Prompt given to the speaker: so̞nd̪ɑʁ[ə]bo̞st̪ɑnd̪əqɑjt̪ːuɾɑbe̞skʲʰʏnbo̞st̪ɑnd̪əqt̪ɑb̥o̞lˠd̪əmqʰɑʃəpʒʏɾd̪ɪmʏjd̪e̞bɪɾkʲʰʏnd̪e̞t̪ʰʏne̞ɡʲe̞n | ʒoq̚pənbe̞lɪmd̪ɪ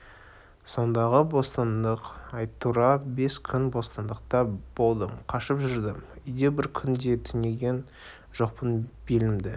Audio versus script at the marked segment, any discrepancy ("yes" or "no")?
no